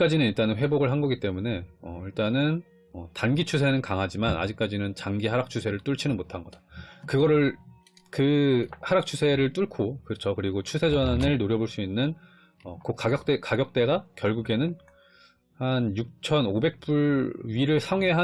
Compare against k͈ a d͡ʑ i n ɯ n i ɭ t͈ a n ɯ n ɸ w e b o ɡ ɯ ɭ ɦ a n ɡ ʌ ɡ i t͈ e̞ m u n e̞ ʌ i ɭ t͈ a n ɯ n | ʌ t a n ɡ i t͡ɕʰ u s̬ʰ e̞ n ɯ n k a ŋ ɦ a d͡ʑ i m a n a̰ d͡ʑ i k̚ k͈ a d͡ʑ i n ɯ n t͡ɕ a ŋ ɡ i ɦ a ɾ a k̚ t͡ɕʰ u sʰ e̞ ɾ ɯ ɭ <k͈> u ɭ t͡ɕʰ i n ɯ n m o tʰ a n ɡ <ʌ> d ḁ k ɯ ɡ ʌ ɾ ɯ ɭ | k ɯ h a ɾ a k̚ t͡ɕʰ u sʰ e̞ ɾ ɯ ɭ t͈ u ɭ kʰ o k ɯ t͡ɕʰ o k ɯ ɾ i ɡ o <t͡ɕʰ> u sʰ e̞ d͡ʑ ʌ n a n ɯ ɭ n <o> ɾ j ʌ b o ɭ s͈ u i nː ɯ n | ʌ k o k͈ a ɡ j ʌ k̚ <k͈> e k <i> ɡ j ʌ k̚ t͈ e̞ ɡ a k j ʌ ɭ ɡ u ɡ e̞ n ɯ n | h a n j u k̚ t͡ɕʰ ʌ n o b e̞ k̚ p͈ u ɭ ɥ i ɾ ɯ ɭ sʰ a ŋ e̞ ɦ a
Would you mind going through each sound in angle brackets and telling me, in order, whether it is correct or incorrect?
incorrect: t͈, correct, correct, correct, incorrect: t͈, incorrect: a

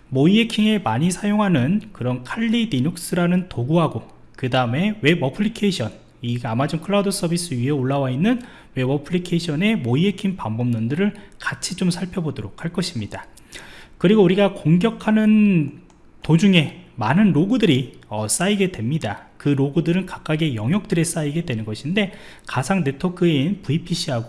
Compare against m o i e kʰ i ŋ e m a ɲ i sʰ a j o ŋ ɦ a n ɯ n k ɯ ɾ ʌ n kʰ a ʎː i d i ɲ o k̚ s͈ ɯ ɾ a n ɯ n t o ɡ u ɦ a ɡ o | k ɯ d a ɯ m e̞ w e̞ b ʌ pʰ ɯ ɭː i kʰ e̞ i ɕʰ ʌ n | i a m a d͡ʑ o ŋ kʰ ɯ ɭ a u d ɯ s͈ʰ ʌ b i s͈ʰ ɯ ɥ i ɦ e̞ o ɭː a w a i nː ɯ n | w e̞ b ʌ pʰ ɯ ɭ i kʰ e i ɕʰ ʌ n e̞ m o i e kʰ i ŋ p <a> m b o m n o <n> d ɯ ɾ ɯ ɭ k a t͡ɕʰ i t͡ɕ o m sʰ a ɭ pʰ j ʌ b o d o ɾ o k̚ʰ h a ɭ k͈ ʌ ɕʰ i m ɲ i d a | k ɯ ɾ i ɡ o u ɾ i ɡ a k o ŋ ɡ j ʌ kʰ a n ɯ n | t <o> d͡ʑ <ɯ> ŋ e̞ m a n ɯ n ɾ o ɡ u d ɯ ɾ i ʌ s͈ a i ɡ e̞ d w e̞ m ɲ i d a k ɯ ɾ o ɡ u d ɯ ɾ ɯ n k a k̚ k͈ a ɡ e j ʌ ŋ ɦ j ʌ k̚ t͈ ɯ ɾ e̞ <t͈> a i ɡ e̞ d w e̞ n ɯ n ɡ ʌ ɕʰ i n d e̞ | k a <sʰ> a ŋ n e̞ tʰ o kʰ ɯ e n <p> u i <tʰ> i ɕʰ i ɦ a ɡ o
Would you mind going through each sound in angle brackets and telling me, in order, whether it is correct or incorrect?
correct, correct, correct, incorrect: u, incorrect: s͈, correct, correct, incorrect: pʰ

